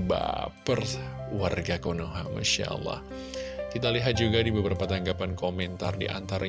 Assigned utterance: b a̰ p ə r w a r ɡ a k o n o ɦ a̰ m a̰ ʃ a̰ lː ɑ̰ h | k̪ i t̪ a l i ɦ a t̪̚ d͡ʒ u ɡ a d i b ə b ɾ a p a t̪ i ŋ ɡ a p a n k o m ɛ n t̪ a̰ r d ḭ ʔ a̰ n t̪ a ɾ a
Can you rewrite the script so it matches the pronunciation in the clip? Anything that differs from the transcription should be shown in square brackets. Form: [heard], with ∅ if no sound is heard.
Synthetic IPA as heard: b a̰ p ə r w a r ɡ a k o n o ɦ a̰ m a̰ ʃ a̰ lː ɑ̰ h | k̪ i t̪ a l i ɦ a t̪̚ d͡ʒ u ɡ a d i b ə b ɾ a p a t̪ [a] ŋ ɡ a p a n k o m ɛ n t̪ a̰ r d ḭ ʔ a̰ n t̪ a ɾ a